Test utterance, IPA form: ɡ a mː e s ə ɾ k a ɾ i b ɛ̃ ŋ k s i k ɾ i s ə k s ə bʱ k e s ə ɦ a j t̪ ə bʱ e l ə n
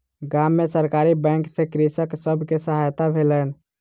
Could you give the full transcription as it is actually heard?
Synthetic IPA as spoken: ɡ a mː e s ə ɾ k a ɾ i b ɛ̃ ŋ k s e k ɾ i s ə k s ə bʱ k e s ə ɦ a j t̪ a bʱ e l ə n